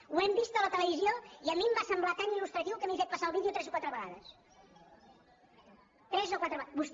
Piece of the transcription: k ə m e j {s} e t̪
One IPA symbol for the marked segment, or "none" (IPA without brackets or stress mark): f